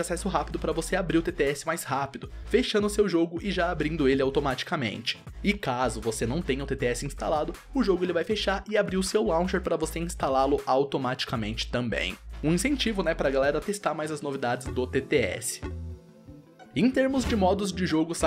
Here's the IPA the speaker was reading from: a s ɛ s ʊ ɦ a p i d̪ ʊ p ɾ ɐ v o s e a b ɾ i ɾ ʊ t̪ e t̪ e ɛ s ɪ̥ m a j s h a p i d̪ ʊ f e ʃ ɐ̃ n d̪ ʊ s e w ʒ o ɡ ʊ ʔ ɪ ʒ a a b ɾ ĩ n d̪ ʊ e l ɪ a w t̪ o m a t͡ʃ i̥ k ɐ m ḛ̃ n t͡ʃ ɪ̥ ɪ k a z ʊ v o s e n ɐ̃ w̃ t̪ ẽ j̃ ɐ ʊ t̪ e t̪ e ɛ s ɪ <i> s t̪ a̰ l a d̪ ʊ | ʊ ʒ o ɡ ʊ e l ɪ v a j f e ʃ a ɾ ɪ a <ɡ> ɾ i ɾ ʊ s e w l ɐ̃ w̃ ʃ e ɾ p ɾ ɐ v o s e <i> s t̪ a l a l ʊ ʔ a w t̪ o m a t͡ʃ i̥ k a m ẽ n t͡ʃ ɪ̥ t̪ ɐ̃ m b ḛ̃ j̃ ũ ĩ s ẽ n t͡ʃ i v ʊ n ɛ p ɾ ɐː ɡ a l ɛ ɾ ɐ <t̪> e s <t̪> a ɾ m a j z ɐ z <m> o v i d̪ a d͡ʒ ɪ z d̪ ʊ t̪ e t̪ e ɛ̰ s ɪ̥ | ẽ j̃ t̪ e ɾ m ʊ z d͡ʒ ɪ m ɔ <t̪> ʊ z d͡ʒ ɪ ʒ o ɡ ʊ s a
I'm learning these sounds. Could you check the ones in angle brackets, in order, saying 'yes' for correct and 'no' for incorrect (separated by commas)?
no, no, no, yes, yes, no, no